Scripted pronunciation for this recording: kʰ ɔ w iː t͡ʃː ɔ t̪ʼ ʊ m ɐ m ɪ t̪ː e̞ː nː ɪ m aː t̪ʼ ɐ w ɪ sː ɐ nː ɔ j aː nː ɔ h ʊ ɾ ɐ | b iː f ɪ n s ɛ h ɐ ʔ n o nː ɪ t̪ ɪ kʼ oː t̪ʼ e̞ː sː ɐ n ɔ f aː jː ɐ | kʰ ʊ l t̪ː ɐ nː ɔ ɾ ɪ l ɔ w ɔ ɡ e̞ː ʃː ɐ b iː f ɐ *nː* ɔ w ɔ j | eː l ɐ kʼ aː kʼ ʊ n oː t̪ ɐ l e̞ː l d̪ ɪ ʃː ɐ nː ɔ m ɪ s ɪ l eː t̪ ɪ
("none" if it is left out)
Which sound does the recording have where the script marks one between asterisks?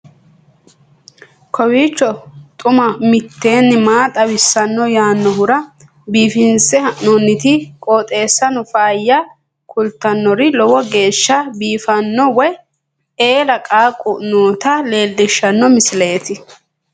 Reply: nː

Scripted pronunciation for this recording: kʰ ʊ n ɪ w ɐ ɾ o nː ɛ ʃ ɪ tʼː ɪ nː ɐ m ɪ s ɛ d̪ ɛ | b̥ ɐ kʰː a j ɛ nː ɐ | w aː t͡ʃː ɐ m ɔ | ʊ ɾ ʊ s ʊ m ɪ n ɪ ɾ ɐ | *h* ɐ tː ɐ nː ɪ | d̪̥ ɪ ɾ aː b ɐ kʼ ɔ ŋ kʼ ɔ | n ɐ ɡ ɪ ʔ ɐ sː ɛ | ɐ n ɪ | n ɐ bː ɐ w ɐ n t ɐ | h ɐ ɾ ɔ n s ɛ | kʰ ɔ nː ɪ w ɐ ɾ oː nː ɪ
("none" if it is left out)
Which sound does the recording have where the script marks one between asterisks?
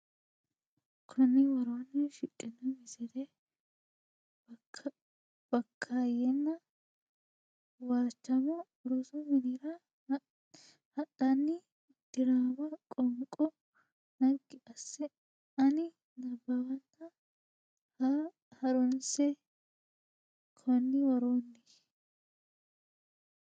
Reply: h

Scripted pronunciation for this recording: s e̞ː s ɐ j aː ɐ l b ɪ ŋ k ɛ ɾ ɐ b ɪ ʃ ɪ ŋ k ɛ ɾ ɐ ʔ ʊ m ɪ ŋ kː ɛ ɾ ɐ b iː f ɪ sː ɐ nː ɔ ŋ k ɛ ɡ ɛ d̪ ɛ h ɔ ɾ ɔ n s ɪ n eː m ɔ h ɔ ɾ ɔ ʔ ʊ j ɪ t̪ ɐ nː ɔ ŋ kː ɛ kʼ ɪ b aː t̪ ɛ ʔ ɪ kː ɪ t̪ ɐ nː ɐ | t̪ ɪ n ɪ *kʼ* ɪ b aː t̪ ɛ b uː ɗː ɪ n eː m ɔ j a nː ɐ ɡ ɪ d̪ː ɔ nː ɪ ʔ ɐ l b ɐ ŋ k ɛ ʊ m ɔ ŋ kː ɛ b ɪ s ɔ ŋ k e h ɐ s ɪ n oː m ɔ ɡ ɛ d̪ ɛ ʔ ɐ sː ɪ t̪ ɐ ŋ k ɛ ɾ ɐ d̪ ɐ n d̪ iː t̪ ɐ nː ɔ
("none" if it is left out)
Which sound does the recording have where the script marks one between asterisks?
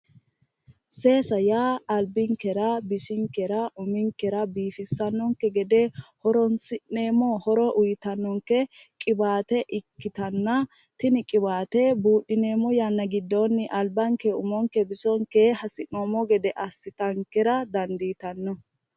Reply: kʼ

